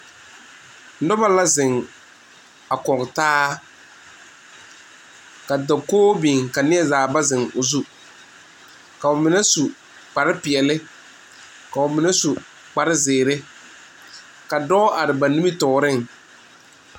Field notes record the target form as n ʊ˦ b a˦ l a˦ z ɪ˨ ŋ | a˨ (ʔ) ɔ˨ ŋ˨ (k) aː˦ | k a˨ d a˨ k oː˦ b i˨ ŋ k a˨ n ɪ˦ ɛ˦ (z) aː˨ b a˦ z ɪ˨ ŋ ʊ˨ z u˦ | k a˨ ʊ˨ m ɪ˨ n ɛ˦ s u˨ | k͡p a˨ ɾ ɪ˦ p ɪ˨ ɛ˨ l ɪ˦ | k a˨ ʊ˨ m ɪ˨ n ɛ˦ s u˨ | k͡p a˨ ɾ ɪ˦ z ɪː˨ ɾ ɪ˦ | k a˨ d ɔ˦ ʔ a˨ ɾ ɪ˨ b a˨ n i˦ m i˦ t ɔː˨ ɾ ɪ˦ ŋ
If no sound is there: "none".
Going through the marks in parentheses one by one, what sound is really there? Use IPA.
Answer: k, t, z

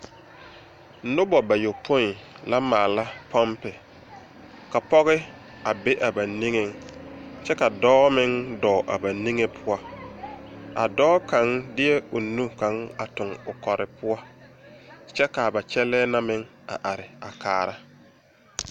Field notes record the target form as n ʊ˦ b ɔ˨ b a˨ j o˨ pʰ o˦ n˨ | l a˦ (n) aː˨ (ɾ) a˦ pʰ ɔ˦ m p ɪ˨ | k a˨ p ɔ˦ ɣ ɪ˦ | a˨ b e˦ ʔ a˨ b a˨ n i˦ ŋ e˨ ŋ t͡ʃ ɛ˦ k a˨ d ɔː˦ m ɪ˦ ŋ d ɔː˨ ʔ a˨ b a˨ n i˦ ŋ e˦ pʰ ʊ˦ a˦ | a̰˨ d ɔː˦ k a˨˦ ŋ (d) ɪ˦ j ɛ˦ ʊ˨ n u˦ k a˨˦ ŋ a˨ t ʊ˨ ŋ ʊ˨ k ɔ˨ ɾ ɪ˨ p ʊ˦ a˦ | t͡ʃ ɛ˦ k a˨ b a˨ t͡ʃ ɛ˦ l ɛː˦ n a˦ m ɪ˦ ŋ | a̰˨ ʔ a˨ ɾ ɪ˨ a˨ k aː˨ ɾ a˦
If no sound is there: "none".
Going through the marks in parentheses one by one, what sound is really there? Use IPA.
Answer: m, l, d

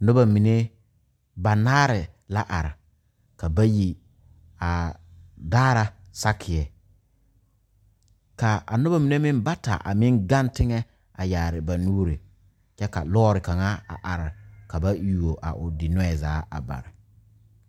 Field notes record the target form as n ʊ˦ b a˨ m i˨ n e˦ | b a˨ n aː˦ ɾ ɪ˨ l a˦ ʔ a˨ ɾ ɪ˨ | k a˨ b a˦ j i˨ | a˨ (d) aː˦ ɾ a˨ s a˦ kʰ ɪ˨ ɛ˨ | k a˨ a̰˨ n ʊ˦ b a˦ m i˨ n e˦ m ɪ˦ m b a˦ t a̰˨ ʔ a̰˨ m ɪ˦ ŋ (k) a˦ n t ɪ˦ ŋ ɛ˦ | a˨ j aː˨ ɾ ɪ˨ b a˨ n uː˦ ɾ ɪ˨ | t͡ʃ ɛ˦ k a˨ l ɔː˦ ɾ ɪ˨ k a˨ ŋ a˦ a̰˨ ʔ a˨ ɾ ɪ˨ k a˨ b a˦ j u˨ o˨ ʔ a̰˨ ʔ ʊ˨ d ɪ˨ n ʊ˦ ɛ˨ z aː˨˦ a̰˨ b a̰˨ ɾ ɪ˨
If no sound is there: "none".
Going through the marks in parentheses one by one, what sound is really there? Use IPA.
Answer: d, ɡ

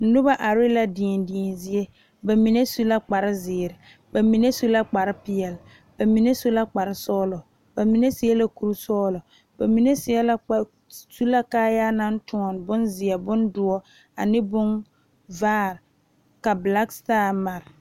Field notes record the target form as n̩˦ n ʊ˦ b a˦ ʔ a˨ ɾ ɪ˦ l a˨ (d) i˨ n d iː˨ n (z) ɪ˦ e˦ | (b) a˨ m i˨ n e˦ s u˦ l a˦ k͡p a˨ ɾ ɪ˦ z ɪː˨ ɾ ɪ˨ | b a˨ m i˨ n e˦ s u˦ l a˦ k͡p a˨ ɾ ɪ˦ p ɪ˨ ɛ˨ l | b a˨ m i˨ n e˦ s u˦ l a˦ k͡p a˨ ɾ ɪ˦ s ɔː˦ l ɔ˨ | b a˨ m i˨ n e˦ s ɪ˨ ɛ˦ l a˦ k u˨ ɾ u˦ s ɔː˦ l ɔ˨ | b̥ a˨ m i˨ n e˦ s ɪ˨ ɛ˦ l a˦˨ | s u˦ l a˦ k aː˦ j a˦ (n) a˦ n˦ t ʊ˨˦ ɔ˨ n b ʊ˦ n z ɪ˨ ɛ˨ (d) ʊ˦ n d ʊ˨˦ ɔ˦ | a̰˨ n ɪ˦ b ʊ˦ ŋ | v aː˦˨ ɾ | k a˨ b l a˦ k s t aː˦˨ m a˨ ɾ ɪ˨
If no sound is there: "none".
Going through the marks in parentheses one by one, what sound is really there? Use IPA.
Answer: d, z, b, n, b

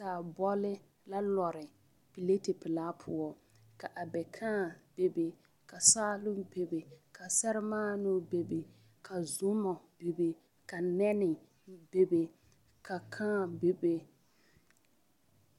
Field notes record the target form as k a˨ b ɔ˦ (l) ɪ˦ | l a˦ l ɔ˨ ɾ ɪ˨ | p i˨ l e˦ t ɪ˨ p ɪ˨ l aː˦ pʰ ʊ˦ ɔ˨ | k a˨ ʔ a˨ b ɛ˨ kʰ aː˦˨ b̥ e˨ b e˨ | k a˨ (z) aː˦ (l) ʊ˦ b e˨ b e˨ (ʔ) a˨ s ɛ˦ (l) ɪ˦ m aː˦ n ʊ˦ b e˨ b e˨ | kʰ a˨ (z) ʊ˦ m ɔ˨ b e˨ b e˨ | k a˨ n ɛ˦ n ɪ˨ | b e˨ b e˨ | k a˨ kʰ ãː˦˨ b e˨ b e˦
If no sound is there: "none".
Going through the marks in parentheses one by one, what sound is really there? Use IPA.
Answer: l, s, l, k, ɾ, z

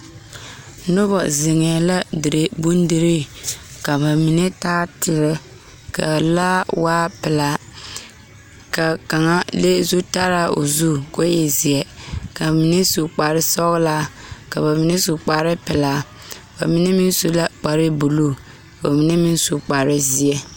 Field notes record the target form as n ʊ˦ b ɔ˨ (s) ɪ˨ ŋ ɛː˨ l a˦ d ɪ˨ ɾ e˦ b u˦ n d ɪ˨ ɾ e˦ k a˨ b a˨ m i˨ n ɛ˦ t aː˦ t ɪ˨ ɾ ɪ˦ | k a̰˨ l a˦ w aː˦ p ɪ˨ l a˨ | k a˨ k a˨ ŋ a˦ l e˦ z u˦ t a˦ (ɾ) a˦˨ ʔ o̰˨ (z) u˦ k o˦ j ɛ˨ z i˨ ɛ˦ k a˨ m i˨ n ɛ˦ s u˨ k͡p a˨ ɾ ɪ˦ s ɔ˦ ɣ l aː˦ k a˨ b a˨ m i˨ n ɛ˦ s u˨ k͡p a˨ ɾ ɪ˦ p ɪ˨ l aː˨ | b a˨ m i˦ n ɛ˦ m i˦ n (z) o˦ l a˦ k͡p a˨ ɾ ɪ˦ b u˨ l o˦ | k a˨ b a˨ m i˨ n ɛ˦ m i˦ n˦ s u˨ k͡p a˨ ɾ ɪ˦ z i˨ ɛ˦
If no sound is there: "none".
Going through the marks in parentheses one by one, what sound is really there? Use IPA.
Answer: z, ɾ, z, s

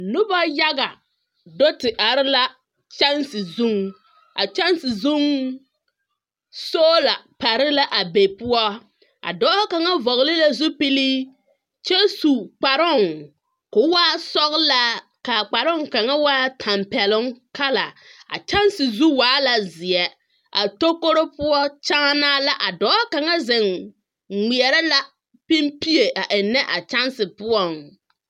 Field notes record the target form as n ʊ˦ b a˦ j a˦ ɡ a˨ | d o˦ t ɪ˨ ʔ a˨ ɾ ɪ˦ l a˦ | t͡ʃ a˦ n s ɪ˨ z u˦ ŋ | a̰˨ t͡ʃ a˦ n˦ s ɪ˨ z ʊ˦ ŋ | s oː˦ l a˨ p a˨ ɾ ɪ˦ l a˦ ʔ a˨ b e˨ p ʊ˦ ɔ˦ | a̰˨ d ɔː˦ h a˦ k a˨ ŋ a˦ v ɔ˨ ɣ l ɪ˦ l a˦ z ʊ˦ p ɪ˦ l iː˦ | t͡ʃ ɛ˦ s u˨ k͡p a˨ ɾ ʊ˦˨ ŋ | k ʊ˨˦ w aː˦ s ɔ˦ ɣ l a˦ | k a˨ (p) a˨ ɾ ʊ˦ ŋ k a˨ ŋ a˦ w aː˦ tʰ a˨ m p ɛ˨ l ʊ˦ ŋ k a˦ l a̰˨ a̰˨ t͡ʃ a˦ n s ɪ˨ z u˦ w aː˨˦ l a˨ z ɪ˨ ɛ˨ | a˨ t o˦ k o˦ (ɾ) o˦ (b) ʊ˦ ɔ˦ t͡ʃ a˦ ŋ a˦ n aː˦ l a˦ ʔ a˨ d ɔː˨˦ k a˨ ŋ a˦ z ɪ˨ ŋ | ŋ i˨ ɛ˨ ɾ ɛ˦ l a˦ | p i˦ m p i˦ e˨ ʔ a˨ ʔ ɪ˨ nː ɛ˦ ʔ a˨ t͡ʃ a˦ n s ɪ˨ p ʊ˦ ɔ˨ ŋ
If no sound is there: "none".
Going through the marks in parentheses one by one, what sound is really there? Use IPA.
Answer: k͡p, ɾ, p

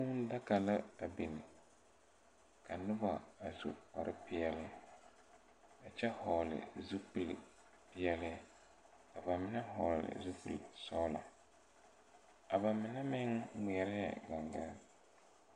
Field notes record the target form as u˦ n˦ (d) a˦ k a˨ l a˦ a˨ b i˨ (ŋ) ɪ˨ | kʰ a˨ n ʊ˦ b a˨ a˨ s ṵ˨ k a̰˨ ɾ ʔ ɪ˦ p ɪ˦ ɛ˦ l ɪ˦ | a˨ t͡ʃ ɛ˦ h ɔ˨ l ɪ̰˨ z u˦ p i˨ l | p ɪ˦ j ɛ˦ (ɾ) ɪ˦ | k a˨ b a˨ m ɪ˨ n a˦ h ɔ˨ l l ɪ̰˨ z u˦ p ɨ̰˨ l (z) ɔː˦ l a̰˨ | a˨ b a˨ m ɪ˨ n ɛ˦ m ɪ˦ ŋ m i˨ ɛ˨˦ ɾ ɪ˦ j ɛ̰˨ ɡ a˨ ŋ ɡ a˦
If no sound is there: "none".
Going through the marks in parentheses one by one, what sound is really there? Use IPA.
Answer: d, n, l, s

